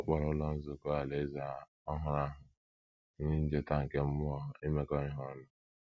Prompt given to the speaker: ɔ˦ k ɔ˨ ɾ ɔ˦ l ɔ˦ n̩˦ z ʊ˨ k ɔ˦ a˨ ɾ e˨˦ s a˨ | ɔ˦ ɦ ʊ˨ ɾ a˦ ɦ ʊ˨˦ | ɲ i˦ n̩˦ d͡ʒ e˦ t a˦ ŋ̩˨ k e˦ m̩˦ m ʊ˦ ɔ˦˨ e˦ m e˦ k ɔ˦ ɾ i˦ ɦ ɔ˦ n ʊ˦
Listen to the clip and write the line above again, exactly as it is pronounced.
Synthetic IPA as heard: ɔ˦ k͡p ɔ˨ ɾ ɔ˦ l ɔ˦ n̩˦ z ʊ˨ k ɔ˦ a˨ l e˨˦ z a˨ | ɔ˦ ɦ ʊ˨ ɾ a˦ ɦ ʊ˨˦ | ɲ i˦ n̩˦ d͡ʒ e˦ t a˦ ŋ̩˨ k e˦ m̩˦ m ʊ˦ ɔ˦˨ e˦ m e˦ k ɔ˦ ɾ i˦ ɦ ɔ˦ n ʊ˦